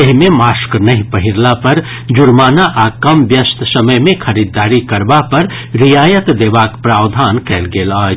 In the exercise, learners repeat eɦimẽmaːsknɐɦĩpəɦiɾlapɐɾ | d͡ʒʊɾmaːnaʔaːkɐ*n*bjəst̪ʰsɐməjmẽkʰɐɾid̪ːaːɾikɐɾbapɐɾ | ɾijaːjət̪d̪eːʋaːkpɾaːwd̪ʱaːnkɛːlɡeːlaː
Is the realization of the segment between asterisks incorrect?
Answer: yes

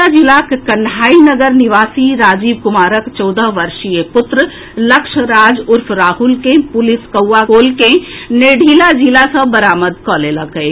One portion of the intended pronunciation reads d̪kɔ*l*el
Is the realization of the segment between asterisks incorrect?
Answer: no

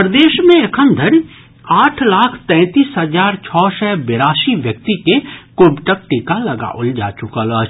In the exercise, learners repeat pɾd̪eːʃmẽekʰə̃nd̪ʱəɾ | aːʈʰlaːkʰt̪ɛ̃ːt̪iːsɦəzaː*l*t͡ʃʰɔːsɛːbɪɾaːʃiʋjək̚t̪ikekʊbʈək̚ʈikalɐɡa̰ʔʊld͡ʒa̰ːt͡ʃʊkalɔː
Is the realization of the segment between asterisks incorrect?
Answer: yes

